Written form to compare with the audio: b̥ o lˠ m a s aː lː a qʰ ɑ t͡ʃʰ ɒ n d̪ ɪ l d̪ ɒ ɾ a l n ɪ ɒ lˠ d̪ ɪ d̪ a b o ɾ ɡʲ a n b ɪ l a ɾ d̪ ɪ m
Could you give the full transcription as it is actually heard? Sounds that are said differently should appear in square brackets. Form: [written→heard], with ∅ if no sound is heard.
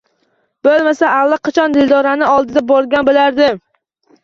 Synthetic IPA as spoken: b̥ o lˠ m a s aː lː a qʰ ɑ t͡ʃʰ ɒ n d̪ ɪ l d̪ ɒ ɾ a [l→∅] n ɪ ɒ lˠ d̪ ɪ d̪ a b [o→ɒ] ɾ ɡʲ a n b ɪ l a ɾ d̪ ɪ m